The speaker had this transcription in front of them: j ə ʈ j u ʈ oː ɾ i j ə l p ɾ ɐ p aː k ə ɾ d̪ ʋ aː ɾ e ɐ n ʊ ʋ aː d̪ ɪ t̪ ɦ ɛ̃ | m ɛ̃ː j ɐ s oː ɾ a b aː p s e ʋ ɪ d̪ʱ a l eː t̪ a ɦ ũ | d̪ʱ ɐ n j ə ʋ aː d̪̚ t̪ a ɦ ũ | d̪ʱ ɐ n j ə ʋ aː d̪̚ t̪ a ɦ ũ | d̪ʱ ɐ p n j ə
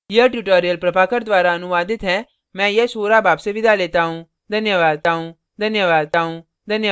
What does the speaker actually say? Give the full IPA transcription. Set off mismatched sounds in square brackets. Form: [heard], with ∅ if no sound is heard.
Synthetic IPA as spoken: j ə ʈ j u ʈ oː ɾ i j ə l p ɾ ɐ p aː k ə ɾ d̪ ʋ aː ɾ [a] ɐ n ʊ ʋ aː d̪ ɪ t̪ ɦ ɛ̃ | m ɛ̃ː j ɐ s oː ɾ a b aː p s e ʋ ɪ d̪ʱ a l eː t̪ a ɦ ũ | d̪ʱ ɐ n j ə ʋ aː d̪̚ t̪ a ɦ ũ | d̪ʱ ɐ n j ə ʋ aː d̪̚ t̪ a ɦ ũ | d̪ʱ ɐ [∅] n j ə